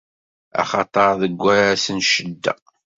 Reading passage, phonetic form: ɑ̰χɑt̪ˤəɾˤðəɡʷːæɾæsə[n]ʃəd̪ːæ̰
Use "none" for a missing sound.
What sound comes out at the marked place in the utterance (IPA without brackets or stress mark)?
n